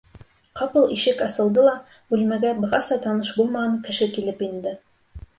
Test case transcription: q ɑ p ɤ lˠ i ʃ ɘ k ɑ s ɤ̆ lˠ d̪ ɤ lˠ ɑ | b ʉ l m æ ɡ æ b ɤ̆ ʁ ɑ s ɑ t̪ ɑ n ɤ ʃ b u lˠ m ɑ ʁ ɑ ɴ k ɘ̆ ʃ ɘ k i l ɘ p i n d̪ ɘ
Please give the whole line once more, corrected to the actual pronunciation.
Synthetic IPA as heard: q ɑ p ɤ lˠ i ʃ ɘ k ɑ s ɤ̆ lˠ d̪ ɤ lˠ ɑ | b ʉ l m æ ɡ æ b ɤ̆ ʁ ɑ s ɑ t̪ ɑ n ɤ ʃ b u lˠ m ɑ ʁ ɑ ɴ k ɘ̆ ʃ ɘ k i l ɘ p i n d̪ ɘ